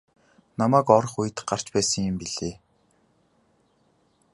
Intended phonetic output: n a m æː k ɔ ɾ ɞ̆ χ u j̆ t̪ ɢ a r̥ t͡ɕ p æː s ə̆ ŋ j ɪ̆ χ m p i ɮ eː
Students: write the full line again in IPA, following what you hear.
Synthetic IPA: n a m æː k ɔ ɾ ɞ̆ χ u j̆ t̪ ɢ a r̥ t͡ɕ p æː s ə̆ ŋ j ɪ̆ m p i ɮ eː